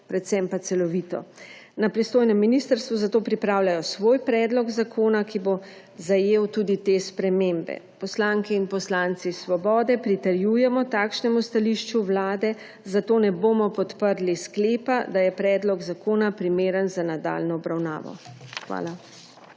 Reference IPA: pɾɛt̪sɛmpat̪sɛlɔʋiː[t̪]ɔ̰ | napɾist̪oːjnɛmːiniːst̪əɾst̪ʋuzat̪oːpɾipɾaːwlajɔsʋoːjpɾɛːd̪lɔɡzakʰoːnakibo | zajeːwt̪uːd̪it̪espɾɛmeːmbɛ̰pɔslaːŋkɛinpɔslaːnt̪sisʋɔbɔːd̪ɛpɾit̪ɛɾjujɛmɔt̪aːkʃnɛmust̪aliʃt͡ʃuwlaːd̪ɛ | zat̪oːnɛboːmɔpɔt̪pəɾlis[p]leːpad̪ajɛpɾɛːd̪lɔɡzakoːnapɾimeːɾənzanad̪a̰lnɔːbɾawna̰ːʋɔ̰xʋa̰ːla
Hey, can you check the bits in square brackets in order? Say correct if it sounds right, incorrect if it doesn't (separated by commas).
correct, incorrect